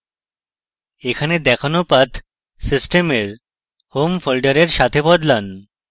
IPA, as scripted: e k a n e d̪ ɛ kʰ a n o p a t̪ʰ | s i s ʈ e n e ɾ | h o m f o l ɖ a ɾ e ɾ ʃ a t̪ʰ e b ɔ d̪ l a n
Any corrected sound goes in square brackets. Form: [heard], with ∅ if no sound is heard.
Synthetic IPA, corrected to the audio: e [kʰ] a n e d̪ ɛ kʰ a n o p a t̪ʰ | s i s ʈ e [m] e ɾ | h o m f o l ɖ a ɾ e ɾ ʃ a t̪ʰ e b ɔ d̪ l a n